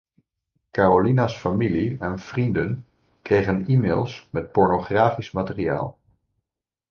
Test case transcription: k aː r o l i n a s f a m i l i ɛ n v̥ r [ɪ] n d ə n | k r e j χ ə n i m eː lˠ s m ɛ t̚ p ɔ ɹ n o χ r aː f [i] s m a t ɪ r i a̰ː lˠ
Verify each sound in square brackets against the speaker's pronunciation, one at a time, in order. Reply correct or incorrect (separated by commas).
incorrect, correct